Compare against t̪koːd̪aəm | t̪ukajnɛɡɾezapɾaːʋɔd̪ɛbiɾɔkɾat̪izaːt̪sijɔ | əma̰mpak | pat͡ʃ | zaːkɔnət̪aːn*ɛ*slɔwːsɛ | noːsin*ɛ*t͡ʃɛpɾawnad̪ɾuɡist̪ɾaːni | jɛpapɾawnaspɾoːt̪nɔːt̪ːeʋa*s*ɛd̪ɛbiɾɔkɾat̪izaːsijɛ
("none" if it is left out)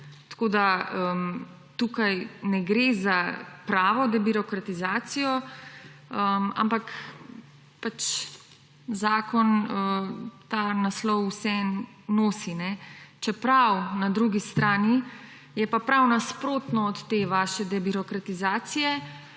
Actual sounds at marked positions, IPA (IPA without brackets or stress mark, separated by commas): a, ɛ, ʃ